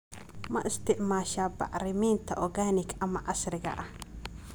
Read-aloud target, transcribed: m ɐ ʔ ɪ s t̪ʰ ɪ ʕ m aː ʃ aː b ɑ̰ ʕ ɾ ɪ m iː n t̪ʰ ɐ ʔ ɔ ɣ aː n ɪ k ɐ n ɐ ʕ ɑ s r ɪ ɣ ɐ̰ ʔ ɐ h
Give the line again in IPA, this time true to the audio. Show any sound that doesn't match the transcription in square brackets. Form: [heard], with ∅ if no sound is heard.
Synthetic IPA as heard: m ɐ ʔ ɪ s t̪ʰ ɪ ʕ m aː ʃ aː b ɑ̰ ʕ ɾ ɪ m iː n t̪ʰ ɐ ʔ ɔ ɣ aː n ɪ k ɐ [m] ɐ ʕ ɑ s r ɪ ɣ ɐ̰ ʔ ɐ h